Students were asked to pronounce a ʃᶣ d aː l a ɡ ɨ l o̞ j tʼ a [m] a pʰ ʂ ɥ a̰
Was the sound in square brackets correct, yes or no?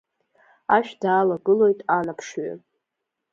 no